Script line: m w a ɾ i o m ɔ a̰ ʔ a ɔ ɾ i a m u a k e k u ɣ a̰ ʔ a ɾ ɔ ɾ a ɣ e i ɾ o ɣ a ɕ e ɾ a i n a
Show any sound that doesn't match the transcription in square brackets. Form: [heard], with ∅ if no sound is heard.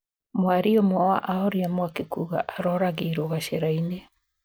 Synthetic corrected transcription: m w a ɾ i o m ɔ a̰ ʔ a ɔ ɾ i a m [w] a k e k u ɣ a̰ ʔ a ɾ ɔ ɾ a ɣ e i ɾ o ɣ a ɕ e ɾ a i n [e]